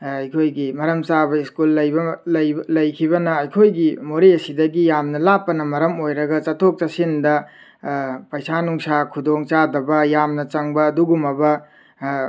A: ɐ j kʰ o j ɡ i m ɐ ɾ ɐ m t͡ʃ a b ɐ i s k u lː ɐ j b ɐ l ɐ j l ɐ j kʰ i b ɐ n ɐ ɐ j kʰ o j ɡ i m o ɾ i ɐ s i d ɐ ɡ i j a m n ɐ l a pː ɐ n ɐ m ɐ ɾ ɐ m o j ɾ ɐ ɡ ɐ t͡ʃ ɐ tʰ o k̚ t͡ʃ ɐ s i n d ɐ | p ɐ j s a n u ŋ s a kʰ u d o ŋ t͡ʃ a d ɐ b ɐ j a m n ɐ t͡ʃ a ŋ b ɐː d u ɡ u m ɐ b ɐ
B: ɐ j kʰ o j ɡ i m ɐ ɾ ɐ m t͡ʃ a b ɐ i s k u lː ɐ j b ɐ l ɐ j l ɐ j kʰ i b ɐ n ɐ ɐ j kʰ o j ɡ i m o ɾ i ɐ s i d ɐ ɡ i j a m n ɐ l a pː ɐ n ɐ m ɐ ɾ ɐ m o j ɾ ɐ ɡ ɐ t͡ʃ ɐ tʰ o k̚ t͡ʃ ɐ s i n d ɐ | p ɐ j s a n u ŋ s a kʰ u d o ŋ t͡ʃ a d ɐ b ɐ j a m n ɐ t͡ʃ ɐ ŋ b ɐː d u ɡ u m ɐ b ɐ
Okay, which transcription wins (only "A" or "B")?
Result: B